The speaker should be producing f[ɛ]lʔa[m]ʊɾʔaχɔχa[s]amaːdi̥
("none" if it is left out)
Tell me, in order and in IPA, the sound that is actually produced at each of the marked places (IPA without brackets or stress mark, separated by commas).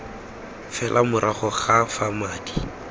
ɛ, m, f